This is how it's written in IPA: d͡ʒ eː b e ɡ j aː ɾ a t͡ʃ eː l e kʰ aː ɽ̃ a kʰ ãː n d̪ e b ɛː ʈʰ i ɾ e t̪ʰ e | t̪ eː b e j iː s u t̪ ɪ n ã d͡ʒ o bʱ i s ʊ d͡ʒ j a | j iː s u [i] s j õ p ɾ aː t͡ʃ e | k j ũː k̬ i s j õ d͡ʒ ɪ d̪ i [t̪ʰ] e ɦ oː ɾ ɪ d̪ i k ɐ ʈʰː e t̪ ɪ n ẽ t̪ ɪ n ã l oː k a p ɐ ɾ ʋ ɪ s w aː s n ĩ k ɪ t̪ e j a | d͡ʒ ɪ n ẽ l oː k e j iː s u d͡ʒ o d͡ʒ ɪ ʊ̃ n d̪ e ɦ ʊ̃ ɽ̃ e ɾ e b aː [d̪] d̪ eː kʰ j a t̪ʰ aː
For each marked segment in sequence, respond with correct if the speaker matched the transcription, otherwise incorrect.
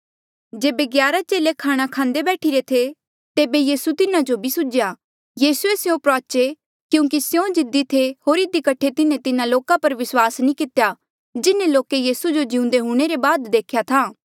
incorrect: e, correct, correct

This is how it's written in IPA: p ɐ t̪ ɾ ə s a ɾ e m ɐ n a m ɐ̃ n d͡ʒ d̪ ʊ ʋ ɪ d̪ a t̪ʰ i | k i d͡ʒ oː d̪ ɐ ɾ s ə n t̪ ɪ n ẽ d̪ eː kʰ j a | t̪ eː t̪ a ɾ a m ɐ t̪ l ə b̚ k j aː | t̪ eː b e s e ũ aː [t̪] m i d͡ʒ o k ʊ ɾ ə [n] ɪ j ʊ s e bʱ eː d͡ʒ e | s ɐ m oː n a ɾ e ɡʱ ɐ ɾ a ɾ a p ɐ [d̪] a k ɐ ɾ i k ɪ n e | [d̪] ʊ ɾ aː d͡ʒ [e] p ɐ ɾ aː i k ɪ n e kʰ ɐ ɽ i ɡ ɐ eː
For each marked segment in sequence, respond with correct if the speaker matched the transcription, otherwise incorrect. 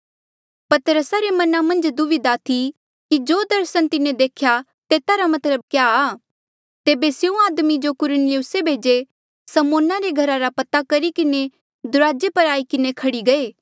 incorrect: d̪, correct, incorrect: t̪, correct, correct

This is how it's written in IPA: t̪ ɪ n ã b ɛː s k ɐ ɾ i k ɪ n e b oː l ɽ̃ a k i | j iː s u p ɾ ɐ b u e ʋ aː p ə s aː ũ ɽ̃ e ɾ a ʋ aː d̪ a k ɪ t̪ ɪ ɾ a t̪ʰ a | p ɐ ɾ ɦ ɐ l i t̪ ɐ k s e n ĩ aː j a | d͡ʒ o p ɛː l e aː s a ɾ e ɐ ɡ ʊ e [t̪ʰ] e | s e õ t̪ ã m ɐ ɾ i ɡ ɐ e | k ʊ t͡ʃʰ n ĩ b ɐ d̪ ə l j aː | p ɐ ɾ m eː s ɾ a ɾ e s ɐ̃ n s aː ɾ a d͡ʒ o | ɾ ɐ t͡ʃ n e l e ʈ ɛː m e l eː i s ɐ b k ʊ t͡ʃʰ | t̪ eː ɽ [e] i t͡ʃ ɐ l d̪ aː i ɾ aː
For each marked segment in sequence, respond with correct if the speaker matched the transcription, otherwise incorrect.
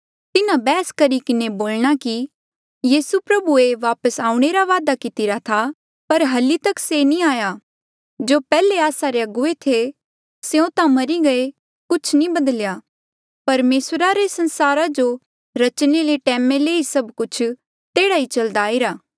correct, incorrect: a

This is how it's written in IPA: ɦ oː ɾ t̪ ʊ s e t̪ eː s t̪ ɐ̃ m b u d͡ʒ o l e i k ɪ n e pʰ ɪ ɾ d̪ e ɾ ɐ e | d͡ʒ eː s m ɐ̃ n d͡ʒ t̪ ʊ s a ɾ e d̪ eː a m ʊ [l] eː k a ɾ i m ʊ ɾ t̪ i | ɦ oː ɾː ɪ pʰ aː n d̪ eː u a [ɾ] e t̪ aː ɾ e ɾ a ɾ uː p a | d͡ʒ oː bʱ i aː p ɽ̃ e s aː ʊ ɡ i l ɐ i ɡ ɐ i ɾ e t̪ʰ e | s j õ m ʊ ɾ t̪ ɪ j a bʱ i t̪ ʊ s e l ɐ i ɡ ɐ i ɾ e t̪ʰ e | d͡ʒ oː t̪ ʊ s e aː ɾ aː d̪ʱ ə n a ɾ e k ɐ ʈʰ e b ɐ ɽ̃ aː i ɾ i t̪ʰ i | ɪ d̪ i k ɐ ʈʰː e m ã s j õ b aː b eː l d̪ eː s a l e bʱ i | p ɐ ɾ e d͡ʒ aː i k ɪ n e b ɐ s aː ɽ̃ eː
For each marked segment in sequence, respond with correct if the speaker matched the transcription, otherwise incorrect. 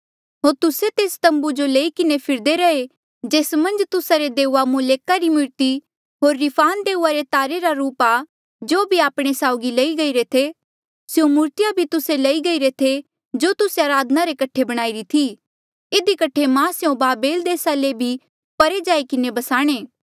correct, correct

